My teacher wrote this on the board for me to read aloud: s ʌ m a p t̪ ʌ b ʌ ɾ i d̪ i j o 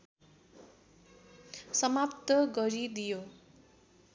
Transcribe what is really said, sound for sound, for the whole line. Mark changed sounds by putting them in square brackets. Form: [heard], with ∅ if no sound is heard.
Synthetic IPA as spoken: s ʌ m a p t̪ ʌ [ɡ] ʌ ɾ i d̪ i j o